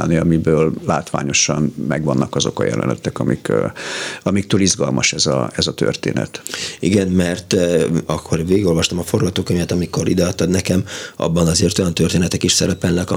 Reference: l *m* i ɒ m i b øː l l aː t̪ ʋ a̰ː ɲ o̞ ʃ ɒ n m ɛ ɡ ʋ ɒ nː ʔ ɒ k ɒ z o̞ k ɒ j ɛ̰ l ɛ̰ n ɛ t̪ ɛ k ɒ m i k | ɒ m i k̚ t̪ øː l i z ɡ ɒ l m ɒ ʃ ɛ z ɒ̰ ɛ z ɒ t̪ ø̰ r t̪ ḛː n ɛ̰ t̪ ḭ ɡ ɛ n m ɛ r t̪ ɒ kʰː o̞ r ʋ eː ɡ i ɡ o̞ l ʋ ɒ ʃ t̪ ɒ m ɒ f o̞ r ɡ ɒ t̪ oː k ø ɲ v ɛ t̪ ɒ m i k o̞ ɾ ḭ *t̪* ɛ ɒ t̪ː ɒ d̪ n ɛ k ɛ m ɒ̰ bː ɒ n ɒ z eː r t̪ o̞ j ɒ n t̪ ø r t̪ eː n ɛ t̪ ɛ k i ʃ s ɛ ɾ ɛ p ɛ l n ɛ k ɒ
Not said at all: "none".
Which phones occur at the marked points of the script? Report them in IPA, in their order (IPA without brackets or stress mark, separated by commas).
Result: n, d̪